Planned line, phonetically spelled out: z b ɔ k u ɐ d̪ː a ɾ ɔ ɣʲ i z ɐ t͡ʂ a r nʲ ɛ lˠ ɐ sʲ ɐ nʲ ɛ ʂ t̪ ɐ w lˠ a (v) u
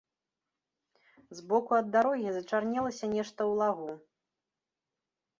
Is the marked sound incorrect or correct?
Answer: incorrect